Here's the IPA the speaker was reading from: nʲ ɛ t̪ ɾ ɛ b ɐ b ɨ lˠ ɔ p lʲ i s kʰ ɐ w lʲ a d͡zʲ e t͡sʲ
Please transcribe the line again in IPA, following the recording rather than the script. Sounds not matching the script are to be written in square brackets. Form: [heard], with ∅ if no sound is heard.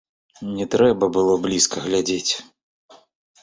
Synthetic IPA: nʲ ɛ t̪ ɾ ɛ b ɐ b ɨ lˠ ɔ [b] lʲ i s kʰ ɐ [ɣ] lʲ a d͡zʲ e t͡sʲ